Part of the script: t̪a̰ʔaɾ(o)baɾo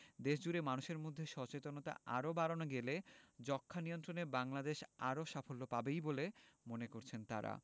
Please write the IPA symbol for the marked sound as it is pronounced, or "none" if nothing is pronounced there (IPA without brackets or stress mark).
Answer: o